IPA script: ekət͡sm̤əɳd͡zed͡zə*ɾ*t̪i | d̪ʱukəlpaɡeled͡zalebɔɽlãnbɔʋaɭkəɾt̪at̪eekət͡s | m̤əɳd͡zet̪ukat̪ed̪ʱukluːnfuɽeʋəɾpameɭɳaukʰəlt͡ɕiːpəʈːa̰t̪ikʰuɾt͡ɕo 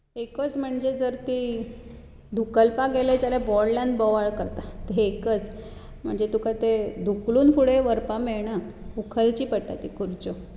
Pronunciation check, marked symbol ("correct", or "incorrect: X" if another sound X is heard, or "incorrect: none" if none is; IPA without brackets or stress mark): correct